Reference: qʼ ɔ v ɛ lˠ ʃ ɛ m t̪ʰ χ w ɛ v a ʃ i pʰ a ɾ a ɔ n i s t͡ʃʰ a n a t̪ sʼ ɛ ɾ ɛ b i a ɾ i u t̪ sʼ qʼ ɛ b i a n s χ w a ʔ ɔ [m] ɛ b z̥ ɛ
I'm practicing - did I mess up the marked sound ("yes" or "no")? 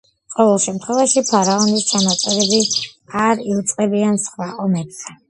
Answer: no